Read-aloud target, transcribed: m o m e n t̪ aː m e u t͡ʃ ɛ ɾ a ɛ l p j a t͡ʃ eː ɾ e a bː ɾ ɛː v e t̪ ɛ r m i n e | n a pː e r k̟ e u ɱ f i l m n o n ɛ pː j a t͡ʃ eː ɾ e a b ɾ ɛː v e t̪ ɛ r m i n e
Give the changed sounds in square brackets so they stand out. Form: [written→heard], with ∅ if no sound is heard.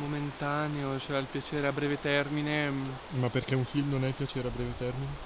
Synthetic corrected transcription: m o m e n t̪ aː [m→n] e [u→o] t͡ʃ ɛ ɾ a [ɛ→i] l p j a t͡ʃ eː ɾ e a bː ɾ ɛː v e t̪ ɛ r m i n e | [n→m] a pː e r k̟ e u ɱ f i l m n o n ɛ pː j a t͡ʃ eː ɾ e a b ɾ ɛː v e t̪ ɛ r m i n e